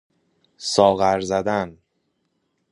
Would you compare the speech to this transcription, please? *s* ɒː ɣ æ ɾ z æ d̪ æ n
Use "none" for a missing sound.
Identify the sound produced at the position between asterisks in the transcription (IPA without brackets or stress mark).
s